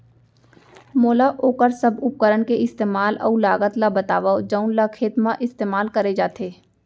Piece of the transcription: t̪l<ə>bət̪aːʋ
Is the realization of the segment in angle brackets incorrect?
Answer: yes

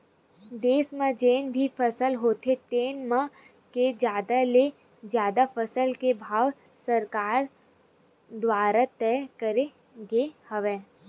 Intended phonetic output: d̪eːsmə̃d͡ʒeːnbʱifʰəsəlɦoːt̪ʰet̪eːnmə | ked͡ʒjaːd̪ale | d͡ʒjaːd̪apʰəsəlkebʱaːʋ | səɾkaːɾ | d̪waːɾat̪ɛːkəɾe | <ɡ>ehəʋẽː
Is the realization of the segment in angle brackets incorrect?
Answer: no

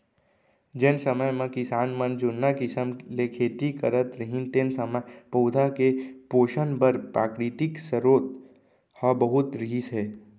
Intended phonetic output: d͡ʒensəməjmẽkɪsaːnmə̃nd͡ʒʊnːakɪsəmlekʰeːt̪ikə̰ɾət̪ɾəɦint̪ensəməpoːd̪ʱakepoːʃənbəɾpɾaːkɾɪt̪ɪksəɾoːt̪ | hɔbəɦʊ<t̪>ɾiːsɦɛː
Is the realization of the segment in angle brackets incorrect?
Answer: no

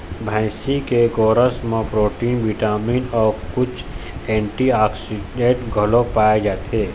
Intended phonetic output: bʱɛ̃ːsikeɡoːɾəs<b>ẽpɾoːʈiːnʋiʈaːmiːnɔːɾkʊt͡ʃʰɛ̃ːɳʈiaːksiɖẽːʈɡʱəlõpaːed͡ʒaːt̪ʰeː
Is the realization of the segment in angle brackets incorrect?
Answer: yes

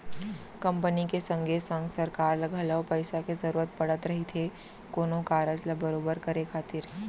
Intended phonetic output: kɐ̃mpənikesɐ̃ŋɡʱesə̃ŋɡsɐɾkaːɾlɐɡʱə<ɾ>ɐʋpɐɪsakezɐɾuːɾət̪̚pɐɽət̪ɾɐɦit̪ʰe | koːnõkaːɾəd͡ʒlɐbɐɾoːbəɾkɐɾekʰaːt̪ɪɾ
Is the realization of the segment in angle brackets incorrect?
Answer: yes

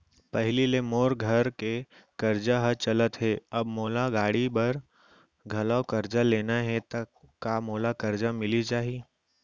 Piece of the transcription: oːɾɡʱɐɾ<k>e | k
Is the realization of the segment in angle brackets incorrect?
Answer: no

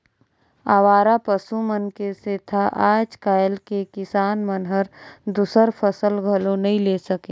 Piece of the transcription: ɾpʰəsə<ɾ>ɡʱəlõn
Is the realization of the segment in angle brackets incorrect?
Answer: yes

